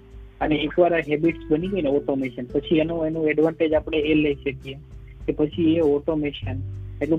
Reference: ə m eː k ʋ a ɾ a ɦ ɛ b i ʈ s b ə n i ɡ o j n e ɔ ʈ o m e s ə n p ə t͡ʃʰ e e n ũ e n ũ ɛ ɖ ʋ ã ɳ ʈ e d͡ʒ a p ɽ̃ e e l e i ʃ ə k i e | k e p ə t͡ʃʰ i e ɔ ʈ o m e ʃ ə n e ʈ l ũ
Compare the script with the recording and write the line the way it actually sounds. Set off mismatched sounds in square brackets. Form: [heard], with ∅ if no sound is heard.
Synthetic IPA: ə [n] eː k ʋ a ɾ a ɦ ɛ b i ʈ s b ə n i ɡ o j n e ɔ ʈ o m e [ʃ] ə n p ə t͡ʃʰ [i] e n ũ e n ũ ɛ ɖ ʋ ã ɳ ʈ e d͡ʒ a p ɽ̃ e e l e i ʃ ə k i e | k e p ə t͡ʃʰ i e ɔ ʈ o m e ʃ ə n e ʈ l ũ